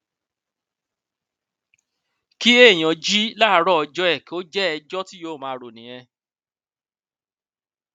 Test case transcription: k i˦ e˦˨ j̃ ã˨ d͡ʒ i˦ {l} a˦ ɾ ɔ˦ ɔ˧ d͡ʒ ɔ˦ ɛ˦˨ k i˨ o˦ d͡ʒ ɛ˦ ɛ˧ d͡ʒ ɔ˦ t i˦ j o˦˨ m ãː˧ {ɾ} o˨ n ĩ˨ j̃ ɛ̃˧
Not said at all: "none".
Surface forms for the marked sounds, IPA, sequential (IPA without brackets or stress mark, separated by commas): l, ɾ